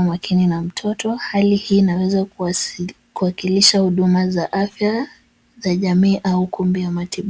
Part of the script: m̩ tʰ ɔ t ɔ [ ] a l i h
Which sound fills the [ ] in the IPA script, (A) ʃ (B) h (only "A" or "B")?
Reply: B